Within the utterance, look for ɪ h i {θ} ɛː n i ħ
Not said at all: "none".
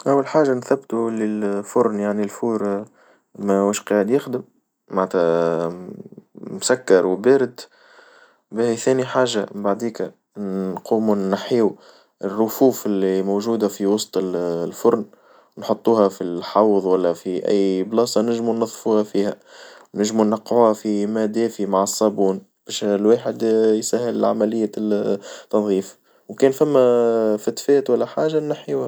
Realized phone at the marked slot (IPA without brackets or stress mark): θ